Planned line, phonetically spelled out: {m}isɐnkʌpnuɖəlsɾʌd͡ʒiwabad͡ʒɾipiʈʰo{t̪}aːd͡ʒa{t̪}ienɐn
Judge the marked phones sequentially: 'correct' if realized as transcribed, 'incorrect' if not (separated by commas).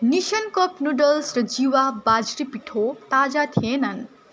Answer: incorrect, correct, incorrect